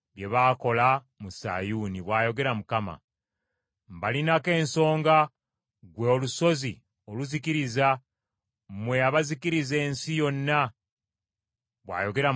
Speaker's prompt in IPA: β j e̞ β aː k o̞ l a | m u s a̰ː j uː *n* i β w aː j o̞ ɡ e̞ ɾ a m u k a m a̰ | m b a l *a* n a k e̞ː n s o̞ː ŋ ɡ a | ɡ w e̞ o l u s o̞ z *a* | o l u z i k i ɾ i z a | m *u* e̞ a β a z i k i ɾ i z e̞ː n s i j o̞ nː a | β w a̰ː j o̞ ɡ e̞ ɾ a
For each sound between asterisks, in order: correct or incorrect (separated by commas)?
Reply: correct, incorrect, incorrect, incorrect